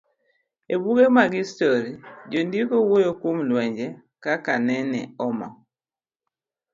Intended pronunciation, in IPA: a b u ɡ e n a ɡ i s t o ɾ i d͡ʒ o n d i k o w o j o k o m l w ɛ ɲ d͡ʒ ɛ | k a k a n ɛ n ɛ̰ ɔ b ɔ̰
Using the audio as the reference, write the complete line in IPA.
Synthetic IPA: e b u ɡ e m a ɡ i s t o ɾ i d͡ʒ o n d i k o w o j o k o m l w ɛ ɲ d͡ʒ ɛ | k a k a n ɛ n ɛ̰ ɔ m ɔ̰